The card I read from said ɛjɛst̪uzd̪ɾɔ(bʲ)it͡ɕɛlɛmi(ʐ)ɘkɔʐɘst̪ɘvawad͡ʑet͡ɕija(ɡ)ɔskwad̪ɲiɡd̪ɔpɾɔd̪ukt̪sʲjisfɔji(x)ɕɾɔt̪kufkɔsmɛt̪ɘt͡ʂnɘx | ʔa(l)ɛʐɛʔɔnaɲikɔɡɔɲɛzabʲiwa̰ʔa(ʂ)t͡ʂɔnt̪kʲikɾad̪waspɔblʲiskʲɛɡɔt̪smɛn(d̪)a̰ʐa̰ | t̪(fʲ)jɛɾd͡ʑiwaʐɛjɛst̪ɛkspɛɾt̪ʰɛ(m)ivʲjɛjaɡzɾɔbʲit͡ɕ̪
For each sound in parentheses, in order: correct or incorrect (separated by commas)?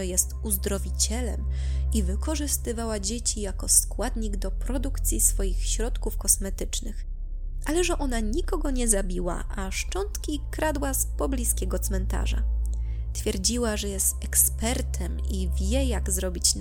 incorrect, incorrect, incorrect, correct, correct, correct, incorrect, correct, correct